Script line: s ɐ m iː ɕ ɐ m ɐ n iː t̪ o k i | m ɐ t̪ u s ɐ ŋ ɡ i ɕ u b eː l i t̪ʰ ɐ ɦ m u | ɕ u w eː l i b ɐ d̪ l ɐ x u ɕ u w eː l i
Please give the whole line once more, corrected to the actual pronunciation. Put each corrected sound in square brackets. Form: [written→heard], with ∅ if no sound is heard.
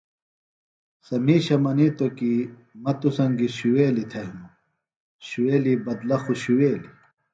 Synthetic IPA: s ɐ m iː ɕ ɐ m ɐ n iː t̪ o k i | m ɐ t̪ u s ɐ ŋ ɡ i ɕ u [b→w] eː l i t̪ʰ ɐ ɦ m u | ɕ u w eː l i b ɐ d̪ l ɐ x u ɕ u w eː l i

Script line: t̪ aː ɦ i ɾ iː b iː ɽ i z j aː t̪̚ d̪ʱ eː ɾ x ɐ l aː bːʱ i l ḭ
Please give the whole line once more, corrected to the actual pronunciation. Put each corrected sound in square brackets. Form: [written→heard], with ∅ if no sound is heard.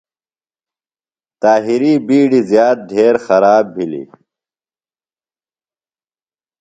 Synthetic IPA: t̪ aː ɦ i ɾ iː b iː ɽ i z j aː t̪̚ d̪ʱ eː ɾ x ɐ [l→ɾ] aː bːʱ i l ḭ

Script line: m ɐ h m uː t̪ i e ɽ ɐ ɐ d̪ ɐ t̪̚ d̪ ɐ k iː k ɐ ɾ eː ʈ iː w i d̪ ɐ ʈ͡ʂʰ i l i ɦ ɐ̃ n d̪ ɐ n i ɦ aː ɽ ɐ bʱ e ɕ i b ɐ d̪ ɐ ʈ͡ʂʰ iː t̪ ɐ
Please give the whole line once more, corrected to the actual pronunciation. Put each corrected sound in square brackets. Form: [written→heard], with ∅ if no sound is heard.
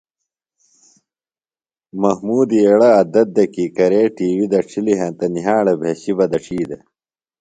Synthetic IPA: m ɐ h m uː [t̪→d̪] i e ɽ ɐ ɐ d̪ ɐ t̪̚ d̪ ɐ k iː k ɐ ɾ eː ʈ iː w i d̪ ɐ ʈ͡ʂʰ i l i ɦ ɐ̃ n [d̪→t̪] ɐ n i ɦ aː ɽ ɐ bʱ e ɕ i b ɐ d̪ ɐ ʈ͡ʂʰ iː [t̪→d̪] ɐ

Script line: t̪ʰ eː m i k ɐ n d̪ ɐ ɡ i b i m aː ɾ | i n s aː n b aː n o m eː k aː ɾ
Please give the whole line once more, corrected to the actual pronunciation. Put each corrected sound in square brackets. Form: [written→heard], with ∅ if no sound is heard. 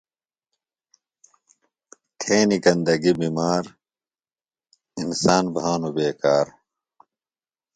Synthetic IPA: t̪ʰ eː [m→n] i k ɐ n d̪ ɐ ɡ i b i m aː ɾ | i n s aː n b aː n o [m→b] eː k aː ɾ

